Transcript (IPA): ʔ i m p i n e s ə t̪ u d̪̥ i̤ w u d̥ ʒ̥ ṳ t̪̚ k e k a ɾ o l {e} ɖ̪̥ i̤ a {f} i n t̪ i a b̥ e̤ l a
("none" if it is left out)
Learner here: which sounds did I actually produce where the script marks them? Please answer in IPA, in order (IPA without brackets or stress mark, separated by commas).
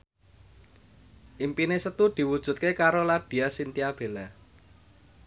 a, s